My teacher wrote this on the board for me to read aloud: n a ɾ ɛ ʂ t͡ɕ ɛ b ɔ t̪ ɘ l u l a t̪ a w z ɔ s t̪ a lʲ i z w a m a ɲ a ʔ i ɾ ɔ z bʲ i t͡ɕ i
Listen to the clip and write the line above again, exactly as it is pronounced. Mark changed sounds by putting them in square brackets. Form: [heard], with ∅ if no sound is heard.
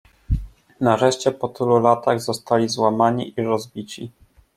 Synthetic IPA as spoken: n a ɾ ɛ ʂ t͡ɕ ɛ [p] ɔ t̪ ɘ l u l a t̪ a [ɣ] z ɔ s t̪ a lʲ i z w a m a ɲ [i] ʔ i ɾ ɔ z bʲ i t͡ɕ i